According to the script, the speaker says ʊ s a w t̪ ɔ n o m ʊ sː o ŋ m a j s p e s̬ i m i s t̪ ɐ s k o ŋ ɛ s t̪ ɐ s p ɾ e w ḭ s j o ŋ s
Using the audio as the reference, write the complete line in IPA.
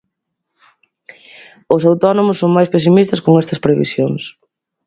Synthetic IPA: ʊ s a w t̪ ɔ n o m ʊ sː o ŋ m a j s p e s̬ i m i s t̪ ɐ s k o ŋ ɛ s t̪ ɐ s p ɾ e β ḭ s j o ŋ s